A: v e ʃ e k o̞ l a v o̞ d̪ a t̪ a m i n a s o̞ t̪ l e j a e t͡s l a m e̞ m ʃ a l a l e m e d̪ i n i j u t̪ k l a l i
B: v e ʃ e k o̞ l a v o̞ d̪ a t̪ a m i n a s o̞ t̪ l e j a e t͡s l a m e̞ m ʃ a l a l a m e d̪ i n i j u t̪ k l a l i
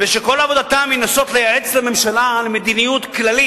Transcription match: A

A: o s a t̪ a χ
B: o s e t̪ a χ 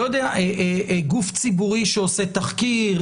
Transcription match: B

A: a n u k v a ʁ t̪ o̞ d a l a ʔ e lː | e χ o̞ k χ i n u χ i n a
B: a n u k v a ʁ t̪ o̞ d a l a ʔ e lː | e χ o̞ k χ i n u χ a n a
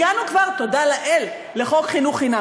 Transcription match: A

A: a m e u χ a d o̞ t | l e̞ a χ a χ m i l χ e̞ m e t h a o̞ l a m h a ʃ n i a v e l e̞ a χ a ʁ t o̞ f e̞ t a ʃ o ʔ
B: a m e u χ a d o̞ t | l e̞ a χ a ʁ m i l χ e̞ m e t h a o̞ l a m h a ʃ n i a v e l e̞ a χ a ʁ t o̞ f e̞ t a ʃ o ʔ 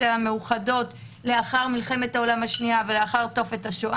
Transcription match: B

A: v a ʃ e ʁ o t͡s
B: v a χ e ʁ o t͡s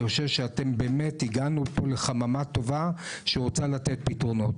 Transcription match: A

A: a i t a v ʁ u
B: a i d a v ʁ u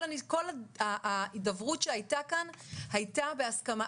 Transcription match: B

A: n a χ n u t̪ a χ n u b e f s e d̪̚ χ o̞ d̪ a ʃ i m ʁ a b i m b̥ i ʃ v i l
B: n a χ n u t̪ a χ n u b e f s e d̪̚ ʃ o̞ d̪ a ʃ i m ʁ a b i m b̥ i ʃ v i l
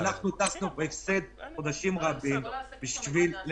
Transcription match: A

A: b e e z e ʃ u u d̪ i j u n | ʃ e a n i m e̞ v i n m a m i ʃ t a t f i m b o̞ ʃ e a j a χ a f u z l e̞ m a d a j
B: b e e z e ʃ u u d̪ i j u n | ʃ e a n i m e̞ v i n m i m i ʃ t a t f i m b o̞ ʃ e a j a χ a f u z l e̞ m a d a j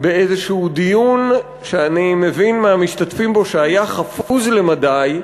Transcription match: A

